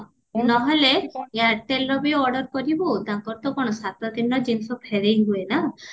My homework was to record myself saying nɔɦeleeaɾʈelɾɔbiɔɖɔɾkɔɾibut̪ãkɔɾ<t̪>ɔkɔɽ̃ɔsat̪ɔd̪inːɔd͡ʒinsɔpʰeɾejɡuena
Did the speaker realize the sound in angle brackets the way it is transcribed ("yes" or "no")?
yes